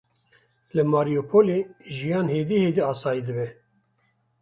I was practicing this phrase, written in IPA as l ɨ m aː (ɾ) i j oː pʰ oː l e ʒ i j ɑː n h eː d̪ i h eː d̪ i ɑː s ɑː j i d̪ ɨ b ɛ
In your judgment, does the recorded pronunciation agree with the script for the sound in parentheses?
yes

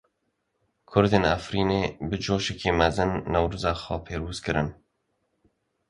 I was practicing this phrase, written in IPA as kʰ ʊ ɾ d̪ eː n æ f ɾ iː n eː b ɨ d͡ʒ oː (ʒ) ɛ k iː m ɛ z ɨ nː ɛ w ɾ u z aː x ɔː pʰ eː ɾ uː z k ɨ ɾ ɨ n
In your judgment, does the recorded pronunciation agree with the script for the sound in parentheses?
no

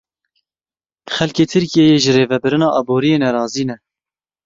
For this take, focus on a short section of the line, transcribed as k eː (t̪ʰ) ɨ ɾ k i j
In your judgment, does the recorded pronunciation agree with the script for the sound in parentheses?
yes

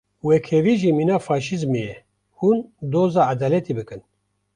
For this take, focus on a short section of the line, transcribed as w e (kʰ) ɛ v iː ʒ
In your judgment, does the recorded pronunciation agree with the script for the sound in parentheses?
yes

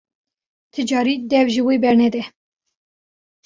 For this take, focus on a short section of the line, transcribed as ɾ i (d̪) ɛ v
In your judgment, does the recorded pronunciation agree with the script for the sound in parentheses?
yes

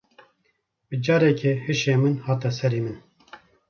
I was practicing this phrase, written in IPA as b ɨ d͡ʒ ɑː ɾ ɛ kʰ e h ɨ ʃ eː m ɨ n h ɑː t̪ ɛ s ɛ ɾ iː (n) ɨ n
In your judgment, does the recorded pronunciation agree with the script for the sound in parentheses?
no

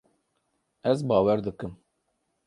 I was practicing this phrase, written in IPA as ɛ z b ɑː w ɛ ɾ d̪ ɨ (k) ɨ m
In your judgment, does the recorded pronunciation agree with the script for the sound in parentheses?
yes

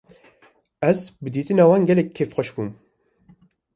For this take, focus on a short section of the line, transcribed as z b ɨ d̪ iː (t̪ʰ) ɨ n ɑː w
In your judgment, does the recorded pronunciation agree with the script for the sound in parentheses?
no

